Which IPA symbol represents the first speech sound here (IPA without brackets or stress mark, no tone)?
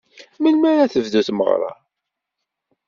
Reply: m